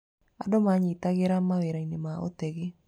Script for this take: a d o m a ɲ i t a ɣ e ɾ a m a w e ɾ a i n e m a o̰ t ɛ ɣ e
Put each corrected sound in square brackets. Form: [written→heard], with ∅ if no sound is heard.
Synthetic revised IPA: a d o m a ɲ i t a ɣ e ɾ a m a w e ɾ a i n e m a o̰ t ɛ ɣ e